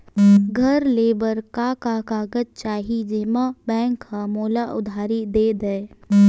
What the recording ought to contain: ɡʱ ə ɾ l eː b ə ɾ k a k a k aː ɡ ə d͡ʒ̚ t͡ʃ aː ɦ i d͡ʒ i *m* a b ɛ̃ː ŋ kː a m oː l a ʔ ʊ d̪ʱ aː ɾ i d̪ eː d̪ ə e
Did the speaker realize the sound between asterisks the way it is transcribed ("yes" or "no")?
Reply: yes